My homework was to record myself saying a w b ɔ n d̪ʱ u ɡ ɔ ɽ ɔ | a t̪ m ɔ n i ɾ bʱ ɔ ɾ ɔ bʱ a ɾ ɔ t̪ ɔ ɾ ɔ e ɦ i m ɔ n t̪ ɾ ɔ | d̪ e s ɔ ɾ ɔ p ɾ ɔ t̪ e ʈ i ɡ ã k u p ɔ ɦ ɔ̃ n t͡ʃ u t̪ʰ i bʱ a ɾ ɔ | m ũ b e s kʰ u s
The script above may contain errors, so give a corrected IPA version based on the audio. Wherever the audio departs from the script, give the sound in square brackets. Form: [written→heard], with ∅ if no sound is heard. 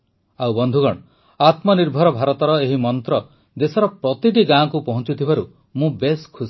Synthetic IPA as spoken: a w b ɔ n d̪ʱ u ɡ ɔ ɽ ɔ | a t̪ m ɔ n i ɾ bʱ ɔ ɾ ɔ bʱ a ɾ ɔ t̪ ɔ ɾ ɔ e ɦ i m ɔ n t̪ ɾ ɔ | d̪ e s ɔ ɾ ɔ p ɾ ɔ t̪ [e→i] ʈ i ɡ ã k u p ɔ ɦ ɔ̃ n t͡ʃ u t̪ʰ i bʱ a ɾ [ɔ→u] | m ũ b e s kʰ u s